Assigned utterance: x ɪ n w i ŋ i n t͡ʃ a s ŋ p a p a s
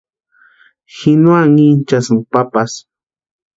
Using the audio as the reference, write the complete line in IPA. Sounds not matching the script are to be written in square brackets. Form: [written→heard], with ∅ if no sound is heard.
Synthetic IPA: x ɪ n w [i→a] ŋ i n t͡ʃ a s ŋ p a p a s

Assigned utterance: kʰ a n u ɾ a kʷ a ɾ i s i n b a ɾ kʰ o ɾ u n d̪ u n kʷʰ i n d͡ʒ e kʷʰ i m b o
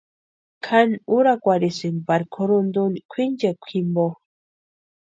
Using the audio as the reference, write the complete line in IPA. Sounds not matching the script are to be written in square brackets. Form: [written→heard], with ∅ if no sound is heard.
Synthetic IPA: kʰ a n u ɾ a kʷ a ɾ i s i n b a ɾ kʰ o ɾ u n d̪ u n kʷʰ i n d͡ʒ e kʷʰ i m b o

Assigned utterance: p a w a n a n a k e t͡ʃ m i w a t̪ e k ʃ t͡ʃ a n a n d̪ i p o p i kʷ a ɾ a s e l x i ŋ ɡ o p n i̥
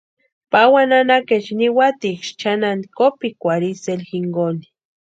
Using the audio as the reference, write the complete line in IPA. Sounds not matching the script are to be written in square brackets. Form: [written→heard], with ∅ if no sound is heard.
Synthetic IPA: p a w a n a n a k e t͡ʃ [m→n] i w a t̪ [e→i] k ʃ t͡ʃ a n a n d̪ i [p→k] o p i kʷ a ɾ [a→i] s e l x i ŋ ɡ o [p→∅] n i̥

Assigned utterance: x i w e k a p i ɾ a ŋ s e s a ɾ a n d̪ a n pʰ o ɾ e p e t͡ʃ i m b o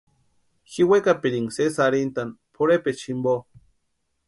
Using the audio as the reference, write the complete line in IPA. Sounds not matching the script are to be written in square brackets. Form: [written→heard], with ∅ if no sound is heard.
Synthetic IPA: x i w e k a p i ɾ [a→i] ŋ s e s a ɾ [a→i] n [d̪→t̪] a n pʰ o ɾ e p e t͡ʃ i m b o

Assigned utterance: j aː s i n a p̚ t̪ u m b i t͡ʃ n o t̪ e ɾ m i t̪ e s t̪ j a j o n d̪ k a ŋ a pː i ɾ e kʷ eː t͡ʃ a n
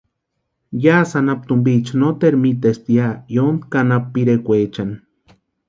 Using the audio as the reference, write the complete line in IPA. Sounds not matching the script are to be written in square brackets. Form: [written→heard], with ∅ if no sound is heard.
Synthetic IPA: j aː s [i→a] n a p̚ t̪ u m b i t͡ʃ n o t̪ e ɾ m i t̪ e s t̪ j a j o n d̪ k a [ŋ→n] a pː i ɾ e kʷ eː t͡ʃ a n

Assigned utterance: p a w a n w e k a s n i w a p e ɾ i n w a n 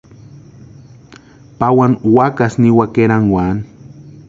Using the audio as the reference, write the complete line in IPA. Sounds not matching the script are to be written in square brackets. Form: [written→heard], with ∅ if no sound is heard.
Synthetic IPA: p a w a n w [e→a] k a s n i w a [p→k] e ɾ [i→a] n w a n

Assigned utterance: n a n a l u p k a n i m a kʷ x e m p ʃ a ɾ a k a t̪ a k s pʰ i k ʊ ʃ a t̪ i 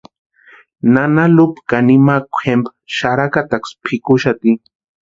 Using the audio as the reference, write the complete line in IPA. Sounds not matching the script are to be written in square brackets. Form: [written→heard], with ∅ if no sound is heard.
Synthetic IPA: n a n a l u p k a n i m a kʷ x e m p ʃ a ɾ a k a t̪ a k s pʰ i k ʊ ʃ a t̪ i

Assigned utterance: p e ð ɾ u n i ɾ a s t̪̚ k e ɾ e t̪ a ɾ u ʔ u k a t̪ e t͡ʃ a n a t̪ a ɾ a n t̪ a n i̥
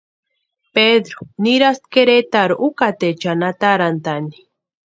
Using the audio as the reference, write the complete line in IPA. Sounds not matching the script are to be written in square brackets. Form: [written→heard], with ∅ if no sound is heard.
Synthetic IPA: p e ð ɾ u n i ɾ a s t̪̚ k e ɾ e t̪ a ɾ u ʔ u k a t̪ e t͡ʃ a n a t̪ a ɾ a n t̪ a n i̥

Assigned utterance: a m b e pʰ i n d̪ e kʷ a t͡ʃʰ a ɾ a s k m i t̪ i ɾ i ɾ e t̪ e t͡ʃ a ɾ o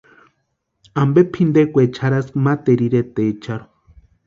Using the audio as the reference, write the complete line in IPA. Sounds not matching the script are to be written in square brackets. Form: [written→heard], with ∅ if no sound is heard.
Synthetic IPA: a m b e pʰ i n d̪ e kʷ [a→e] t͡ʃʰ a ɾ a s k m [i→a] t̪ [i→e] ɾ i ɾ e t̪ e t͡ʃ a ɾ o

